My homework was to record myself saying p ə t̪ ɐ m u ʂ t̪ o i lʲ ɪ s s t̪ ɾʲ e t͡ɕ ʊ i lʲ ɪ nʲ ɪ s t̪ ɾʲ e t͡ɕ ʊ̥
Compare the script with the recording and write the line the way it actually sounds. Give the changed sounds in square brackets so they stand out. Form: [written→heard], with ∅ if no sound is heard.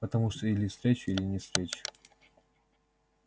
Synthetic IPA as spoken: p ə t̪ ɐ m u ʂ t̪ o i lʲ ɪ [s→f] s t̪ ɾʲ e t͡ɕ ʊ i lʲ ɪ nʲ ɪ s t̪ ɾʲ e t͡ɕ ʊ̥